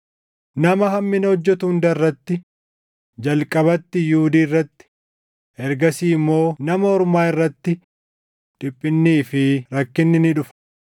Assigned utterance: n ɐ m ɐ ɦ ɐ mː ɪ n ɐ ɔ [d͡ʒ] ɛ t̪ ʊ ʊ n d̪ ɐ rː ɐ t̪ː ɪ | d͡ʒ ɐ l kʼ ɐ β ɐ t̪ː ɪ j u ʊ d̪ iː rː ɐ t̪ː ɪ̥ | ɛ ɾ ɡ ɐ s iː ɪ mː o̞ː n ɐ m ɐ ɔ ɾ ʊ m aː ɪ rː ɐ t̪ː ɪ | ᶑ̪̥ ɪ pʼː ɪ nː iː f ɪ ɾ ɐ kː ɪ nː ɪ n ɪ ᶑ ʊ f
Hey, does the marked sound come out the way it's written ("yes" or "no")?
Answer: no